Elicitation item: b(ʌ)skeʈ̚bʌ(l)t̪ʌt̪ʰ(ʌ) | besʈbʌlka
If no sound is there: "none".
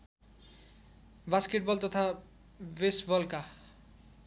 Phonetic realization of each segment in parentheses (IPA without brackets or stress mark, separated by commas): a, l, a